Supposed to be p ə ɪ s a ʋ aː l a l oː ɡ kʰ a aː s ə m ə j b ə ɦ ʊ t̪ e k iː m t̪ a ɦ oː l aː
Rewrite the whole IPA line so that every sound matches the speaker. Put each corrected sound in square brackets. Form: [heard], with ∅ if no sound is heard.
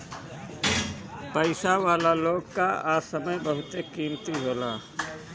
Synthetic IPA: p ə ɪ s a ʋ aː l a l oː ɡ [k] a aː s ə m ə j b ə ɦ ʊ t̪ e k iː m t̪ [i] ɦ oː l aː